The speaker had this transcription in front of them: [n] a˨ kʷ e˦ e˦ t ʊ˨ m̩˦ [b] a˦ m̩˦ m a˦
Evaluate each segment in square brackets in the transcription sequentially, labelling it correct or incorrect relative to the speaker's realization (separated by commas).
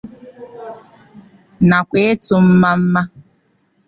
correct, incorrect